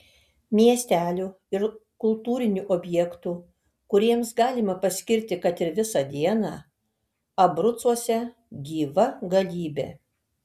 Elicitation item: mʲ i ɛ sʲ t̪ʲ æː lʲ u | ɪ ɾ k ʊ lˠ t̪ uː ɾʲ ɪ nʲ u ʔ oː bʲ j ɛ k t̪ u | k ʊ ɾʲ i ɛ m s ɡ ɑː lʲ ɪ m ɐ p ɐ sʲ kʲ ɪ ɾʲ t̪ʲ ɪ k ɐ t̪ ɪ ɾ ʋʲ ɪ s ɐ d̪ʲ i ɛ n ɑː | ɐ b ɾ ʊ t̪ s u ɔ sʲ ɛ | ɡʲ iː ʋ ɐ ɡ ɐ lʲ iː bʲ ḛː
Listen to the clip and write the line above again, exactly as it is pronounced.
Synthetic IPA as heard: mʲ i ɛ sʲ t̪ʲ æː lʲ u | ɪ ɾ k ʊ lˠ t̪ uː ɾʲ ɪ nʲ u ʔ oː bʲ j ɛ k t̪ u | k ʊ ɾʲ i ɛ m s ɡ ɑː lʲ ɪ m ɐ p ɐ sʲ kʲ ɪ ɾʲ t̪ʲ ɪ k ɐ t̪ ɪ ɾ ʋʲ ɪ s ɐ d̪ʲ i ɛ n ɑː | ɐ b ɾ ʊ t̪ s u ɔ sʲ ɛ | ɡʲ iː ʋ ɐ ɡ ɐ lʲ iː bʲ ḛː